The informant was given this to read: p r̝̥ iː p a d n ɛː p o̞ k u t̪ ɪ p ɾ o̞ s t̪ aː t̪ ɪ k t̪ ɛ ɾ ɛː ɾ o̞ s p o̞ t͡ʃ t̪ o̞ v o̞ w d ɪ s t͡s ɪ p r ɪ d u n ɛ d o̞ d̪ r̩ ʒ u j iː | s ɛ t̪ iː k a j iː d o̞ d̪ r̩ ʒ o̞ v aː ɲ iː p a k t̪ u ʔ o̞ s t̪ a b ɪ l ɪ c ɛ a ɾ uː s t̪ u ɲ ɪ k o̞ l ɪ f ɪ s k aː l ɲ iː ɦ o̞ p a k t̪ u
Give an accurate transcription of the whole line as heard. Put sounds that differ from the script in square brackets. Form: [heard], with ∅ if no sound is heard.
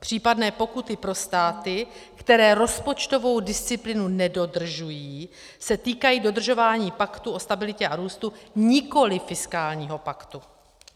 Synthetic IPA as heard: p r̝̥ iː p a d n ɛː p o̞ k u t̪ ɪ p ɾ o̞ s t̪ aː t̪ ɪ k t̪ ɛ ɾ ɛː ɾ o̞ s p o̞ t͡ʃ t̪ o̞ v o̞ w d ɪ s t͡s ɪ p [l] ɪ [n] u n ɛ d o̞ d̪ r̩ ʒ u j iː | s ɛ t̪ iː k a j iː d o̞ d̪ r̩ ʒ o̞ v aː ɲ iː p a k t̪ u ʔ o̞ s t̪ a b ɪ l ɪ c ɛ a ɾ uː s t̪ u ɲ ɪ k o̞ l ɪ f ɪ s k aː l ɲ iː ɦ o̞ p a k t̪ u